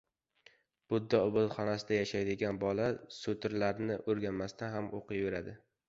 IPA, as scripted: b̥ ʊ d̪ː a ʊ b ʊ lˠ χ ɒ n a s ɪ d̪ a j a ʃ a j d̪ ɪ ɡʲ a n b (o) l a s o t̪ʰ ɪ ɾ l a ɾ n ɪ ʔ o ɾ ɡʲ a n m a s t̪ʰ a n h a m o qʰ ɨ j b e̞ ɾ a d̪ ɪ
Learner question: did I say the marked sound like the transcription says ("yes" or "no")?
no